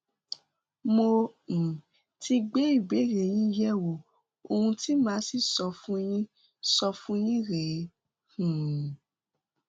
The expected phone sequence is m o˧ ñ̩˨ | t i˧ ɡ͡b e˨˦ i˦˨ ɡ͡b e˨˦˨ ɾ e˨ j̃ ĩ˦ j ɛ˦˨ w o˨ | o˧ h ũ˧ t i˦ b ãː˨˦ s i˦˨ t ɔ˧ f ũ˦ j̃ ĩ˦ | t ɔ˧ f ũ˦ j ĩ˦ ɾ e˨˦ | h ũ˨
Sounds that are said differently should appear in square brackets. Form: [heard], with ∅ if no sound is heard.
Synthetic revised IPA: m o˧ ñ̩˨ | t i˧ ɡ͡b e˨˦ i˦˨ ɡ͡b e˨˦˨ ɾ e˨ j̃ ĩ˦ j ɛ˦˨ w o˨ | o˧ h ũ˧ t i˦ [m] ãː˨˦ s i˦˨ [s] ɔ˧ f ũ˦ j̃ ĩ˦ | [s] ɔ˧ f ũ˦ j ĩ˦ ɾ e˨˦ | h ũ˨